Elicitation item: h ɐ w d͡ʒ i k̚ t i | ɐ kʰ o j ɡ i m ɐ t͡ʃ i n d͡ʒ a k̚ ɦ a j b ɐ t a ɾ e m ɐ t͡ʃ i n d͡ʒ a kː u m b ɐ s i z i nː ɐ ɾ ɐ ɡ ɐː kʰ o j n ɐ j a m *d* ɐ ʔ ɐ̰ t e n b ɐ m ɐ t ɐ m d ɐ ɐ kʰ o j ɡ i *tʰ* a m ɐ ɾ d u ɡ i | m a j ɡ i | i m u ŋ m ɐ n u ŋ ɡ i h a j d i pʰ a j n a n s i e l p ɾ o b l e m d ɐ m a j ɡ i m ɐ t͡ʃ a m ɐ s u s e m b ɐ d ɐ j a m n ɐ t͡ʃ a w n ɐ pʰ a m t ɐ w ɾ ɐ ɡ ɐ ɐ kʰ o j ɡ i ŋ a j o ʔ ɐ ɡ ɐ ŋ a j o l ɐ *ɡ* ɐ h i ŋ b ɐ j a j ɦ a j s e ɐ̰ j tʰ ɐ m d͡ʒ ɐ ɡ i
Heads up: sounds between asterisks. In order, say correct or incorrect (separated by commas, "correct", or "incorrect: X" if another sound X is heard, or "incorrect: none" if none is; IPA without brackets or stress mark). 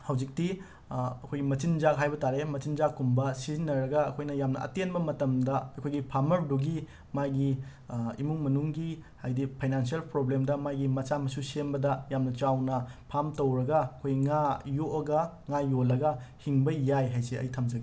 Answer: incorrect: n, incorrect: pʰ, correct